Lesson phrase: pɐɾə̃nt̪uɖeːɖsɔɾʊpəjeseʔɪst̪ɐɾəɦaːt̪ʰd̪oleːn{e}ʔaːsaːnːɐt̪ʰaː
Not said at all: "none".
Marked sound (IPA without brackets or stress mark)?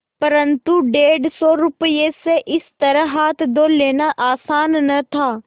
a